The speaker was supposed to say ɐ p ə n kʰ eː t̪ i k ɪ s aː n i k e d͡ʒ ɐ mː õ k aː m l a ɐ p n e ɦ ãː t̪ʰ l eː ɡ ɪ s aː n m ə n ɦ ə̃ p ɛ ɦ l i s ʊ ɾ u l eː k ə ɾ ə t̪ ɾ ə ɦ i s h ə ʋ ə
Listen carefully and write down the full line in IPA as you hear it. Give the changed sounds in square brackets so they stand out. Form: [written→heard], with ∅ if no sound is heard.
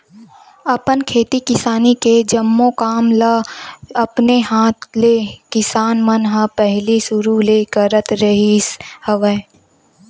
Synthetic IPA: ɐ p ə n kʰ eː t̪ i k ɪ s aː n i k e d͡ʒ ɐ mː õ k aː m l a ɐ p n e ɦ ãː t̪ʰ l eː [ɡ→k] ɪ s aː n m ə n ɦ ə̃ p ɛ ɦ l i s ʊ ɾ u l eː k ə ɾ ə t̪ ɾ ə ɦ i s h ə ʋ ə